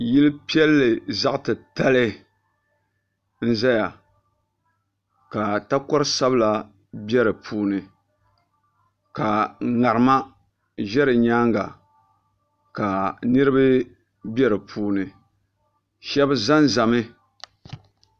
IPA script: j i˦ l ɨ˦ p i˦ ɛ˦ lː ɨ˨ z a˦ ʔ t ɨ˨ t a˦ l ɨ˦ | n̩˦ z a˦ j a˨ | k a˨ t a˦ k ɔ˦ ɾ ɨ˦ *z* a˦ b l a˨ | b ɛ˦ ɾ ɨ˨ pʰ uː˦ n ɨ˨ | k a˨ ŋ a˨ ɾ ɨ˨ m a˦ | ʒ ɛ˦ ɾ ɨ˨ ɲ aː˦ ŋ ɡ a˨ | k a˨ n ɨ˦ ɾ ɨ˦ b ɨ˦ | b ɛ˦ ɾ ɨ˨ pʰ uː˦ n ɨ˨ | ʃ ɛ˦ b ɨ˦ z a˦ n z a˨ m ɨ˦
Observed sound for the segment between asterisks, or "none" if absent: s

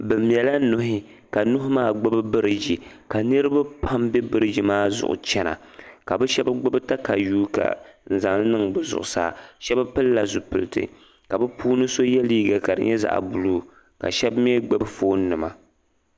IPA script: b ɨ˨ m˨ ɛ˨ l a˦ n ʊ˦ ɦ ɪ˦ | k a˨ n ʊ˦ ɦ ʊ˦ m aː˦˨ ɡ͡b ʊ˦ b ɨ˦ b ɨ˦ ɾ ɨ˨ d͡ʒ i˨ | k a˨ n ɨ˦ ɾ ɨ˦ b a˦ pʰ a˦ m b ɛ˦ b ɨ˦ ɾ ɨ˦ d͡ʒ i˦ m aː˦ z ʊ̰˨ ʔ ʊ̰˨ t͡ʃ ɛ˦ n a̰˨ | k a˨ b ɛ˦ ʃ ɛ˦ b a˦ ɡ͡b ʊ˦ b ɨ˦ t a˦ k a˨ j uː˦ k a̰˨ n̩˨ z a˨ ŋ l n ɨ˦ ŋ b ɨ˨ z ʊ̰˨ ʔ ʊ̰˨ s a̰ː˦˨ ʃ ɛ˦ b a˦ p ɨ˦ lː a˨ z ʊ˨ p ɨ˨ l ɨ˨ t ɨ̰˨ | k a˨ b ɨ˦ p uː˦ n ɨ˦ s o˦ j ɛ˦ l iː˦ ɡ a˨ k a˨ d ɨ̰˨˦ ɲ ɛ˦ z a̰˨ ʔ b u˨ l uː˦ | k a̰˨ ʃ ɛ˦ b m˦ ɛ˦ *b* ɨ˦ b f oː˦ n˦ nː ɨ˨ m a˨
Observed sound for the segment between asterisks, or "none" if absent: ɡ͡b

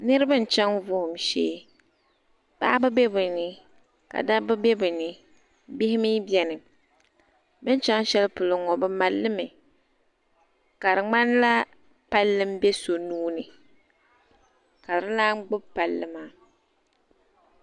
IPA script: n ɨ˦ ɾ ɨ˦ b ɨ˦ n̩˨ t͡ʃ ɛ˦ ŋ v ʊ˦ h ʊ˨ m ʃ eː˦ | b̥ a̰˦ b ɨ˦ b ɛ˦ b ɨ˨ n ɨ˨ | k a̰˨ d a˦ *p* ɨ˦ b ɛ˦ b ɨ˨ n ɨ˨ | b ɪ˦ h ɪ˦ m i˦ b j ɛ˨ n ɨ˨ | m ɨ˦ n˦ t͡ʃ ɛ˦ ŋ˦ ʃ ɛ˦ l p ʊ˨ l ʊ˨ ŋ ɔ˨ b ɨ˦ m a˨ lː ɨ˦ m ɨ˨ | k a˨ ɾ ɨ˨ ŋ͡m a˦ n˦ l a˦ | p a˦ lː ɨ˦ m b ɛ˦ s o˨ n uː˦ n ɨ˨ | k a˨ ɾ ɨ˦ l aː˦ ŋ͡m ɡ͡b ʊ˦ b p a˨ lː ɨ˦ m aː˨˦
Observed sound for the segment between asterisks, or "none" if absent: b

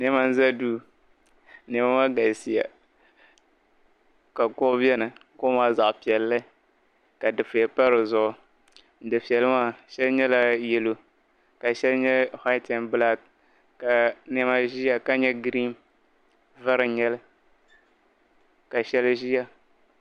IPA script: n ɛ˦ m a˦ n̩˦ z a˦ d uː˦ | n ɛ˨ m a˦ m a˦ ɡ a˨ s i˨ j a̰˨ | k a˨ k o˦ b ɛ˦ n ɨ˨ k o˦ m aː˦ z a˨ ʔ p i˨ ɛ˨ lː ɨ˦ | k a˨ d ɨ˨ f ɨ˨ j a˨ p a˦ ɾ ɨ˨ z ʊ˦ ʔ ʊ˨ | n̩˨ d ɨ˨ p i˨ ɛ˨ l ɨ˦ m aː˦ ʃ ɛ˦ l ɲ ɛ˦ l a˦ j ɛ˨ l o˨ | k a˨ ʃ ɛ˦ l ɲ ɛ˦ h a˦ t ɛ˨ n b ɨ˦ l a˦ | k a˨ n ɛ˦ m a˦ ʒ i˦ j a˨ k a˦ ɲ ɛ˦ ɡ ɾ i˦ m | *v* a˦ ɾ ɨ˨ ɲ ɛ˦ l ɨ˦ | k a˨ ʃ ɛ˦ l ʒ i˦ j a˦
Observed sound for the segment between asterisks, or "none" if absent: v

